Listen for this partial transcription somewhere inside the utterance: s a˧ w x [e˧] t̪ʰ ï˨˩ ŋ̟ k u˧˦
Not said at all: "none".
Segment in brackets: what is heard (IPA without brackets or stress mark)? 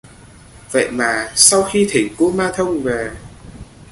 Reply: i˧